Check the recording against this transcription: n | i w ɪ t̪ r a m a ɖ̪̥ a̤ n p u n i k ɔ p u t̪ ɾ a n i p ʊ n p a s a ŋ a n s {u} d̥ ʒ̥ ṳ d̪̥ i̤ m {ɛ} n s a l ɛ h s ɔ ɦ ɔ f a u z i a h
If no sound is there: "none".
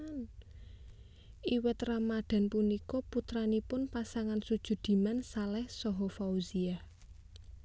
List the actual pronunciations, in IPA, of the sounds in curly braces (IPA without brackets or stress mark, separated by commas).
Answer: u, a